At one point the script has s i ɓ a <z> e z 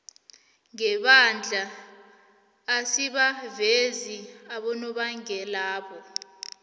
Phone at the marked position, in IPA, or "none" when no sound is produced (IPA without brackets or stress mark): v